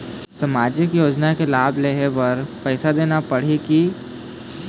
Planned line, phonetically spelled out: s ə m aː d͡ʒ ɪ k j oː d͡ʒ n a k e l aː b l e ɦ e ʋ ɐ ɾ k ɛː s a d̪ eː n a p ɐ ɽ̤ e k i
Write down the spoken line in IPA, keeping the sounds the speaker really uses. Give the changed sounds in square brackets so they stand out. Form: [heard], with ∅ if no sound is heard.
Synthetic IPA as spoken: s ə m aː d͡ʒ ɪ k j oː d͡ʒ n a k e l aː b l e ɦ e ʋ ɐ ɾ [p] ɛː s a d̪ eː n a p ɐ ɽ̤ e k i